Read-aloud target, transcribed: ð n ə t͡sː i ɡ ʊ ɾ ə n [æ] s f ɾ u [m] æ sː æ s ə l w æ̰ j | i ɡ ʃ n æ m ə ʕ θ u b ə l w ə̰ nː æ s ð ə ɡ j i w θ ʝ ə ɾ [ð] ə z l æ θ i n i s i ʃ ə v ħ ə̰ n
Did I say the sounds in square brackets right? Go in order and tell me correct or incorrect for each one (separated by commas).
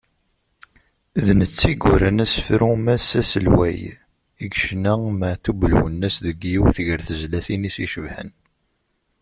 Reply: correct, correct, incorrect